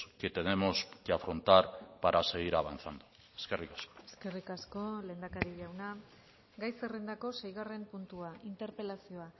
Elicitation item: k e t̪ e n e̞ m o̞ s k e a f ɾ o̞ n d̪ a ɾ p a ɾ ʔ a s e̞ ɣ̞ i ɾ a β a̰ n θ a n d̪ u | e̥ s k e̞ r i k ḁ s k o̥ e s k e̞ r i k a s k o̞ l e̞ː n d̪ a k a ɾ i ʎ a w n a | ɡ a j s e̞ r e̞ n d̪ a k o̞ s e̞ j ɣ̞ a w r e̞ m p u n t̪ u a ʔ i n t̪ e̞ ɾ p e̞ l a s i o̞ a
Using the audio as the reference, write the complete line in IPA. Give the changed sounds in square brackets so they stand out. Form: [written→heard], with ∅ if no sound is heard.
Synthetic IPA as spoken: k e t̪ e n e̞ m o̞ s k e a f ɾ o̞ n [d̪→t̪] a ɾ p a ɾ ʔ a s e̞ ɣ̞ i ɾ a β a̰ n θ a n d̪ u | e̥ s k e̞ r i k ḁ s k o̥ e s k e̞ r i k a s k o̞ l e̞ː n d̪ a k a ɾ i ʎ a w n a | ɡ a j s e̞ r e̞ n d̪ a k o̞ s e̞ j ɣ̞ a [w→∅] r e̞ m p u n t̪ u a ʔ i n t̪ e̞ ɾ p e̞ l a s i o̞ a